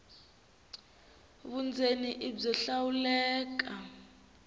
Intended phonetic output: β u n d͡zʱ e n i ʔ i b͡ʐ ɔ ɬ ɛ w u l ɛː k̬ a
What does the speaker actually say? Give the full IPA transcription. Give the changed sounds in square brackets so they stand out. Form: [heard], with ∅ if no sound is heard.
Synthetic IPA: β u n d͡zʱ e n i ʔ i b͡ʐ ɔ ɬ [a] w u l ɛː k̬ a